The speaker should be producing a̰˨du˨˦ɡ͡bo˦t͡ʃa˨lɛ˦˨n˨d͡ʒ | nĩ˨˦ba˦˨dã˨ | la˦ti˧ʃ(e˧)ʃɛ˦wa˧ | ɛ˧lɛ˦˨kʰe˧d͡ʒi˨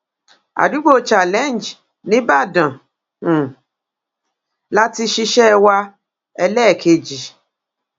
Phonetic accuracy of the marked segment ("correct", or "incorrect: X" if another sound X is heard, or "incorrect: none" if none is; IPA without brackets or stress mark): incorrect: i˧